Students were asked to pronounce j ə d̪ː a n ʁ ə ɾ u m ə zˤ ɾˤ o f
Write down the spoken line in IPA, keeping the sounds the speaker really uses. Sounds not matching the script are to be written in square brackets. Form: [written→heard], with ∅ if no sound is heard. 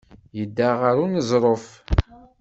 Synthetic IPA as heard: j ə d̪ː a [n→∅] ʁ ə ɾ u [m→n] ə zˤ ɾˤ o f